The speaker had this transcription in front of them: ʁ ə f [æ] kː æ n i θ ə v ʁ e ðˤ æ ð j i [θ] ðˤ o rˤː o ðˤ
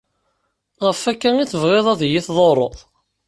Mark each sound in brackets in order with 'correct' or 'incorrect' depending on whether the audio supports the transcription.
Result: correct, correct

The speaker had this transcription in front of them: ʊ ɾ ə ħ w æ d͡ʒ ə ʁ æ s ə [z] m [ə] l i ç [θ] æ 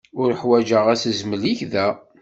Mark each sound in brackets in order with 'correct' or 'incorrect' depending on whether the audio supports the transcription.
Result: correct, correct, incorrect: ð

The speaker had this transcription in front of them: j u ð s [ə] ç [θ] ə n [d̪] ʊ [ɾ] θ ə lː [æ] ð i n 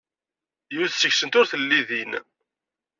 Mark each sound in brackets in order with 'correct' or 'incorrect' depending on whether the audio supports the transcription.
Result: correct, incorrect: s, incorrect: t̪, correct, incorrect: i

